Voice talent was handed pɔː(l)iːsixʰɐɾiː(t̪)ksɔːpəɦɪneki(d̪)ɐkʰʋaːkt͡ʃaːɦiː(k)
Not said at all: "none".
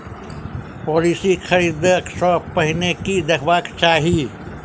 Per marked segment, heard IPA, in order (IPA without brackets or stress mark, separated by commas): l, d̪, d̪, none